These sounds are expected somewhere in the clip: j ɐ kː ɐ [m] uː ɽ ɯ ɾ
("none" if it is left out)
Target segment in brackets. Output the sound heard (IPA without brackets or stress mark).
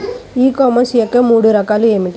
m